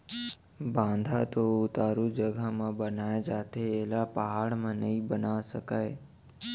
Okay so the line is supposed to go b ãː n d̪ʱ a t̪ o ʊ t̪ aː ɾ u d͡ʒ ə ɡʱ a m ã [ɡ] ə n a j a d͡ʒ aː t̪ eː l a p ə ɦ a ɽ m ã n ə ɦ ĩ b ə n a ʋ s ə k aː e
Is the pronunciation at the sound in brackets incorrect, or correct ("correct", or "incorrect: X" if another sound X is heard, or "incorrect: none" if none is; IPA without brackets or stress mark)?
incorrect: b